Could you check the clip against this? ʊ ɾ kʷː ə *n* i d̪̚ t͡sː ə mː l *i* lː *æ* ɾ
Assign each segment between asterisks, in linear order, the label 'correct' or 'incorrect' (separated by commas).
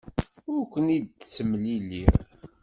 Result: correct, correct, incorrect